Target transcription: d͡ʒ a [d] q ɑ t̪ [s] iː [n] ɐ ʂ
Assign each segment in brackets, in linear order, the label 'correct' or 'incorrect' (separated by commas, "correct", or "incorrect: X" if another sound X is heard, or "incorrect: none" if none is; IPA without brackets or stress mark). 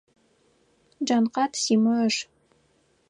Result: incorrect: n, correct, incorrect: m